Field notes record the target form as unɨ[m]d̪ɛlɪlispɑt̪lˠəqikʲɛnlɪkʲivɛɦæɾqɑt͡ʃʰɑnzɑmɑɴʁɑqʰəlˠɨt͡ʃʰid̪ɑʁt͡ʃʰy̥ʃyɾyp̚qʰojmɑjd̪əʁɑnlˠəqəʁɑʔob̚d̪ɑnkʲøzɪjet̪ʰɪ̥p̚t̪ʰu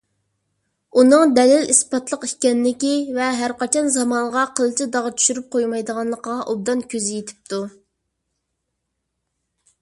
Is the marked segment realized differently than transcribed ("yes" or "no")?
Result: yes